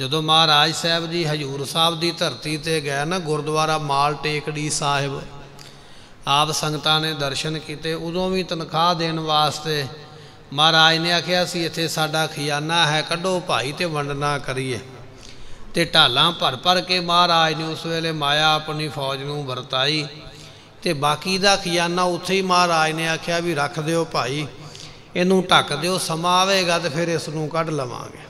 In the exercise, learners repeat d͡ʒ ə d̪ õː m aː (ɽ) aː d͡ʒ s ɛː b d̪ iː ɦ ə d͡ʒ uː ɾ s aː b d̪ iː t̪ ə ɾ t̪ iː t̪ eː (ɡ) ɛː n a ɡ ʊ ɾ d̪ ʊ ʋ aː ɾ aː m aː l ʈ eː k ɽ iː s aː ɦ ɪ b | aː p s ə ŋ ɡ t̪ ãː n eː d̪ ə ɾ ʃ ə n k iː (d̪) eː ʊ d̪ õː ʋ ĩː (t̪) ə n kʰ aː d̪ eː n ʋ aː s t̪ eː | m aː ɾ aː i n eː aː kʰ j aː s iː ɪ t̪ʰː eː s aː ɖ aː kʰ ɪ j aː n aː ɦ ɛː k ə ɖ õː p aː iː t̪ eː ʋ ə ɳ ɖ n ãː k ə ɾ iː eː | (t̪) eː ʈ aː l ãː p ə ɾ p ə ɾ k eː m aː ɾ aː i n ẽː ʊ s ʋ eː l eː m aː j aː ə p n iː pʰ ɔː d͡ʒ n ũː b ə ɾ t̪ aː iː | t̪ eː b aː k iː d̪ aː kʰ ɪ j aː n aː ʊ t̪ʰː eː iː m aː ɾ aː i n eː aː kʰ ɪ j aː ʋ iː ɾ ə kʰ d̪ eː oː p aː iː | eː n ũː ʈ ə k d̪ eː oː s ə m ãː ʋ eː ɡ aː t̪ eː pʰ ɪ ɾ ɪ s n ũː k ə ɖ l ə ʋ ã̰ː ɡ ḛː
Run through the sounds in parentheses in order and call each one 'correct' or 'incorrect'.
incorrect: ɾ, correct, incorrect: t̪, correct, correct

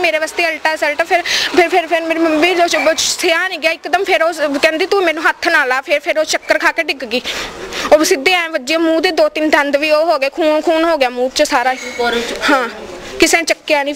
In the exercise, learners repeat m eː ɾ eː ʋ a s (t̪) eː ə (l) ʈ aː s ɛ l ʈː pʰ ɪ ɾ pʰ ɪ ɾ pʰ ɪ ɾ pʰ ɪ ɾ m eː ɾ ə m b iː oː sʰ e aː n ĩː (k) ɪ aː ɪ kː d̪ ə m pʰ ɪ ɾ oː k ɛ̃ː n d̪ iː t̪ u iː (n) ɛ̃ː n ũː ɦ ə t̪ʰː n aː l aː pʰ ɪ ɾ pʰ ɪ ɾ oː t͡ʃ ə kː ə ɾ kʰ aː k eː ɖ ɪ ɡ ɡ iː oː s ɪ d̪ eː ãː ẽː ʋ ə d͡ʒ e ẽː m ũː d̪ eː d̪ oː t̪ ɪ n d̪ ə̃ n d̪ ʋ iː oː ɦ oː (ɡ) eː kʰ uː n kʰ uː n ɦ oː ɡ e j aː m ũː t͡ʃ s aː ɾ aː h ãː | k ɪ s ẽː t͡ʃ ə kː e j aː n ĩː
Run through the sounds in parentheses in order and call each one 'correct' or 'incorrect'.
correct, correct, incorrect: ɡ, incorrect: m, correct

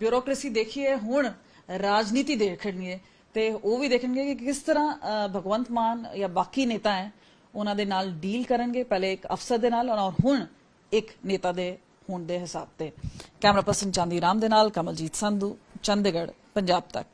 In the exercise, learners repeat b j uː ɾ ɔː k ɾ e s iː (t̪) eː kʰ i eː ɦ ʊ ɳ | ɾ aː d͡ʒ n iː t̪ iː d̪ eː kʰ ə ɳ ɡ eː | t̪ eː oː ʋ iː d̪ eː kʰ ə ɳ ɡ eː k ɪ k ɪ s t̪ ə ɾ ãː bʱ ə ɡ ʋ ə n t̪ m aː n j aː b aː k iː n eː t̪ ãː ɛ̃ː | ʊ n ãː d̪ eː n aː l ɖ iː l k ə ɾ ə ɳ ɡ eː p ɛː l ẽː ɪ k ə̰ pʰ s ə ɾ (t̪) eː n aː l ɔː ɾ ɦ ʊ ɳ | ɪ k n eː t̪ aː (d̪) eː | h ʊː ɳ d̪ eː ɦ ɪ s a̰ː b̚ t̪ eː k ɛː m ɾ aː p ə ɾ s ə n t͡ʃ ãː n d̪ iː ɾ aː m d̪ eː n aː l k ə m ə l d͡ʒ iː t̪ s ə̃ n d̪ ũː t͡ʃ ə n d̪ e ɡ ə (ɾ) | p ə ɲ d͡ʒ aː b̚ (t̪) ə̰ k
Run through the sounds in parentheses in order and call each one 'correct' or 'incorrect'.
incorrect: d̪, incorrect: d̪, correct, incorrect: ɽ, correct

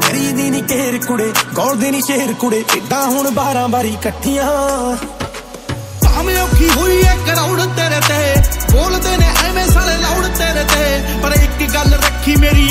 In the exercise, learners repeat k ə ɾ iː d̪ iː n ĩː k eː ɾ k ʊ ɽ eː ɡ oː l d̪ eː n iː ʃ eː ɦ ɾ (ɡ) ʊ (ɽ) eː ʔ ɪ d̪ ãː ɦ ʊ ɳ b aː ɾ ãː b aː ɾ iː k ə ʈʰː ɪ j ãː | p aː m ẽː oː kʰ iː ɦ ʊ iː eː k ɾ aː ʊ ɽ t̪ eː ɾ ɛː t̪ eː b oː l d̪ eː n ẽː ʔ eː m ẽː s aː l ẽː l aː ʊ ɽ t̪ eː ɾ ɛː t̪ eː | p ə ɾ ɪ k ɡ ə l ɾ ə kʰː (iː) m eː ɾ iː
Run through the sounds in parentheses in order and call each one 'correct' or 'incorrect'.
incorrect: k, correct, correct

